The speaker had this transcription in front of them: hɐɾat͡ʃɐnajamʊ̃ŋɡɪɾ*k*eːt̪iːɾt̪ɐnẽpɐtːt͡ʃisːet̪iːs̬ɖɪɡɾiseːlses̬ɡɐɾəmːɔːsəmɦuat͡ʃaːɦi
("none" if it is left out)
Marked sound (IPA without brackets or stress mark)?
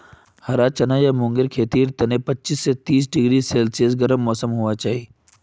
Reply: kʰ